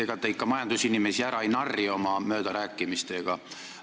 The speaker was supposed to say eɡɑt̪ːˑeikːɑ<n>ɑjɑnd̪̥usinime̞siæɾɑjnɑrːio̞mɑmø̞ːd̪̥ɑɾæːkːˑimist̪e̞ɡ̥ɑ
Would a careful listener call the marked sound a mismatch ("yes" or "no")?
yes